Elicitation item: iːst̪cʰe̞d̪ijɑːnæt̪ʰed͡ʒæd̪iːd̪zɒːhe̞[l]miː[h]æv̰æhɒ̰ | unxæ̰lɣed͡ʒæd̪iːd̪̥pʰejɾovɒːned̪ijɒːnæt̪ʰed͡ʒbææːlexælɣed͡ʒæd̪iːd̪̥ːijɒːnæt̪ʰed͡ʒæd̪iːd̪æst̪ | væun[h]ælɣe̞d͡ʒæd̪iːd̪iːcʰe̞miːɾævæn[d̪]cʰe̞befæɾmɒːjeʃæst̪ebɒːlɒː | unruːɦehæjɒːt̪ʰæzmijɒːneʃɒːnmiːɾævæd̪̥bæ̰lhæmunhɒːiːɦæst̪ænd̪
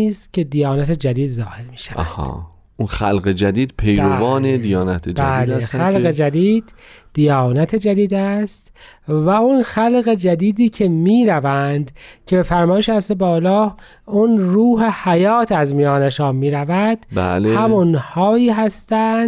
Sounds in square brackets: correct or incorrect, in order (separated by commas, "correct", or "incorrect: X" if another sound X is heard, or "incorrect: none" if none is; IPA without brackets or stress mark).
incorrect: ɾ, incorrect: ʃ, incorrect: x, correct